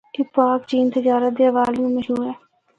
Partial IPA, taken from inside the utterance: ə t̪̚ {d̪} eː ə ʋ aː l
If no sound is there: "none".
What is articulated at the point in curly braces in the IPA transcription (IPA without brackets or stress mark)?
d̪